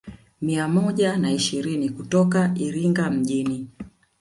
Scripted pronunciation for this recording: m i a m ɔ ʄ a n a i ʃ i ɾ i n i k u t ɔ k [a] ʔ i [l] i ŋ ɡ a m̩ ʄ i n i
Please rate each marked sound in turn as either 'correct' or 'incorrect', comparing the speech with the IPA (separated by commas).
correct, incorrect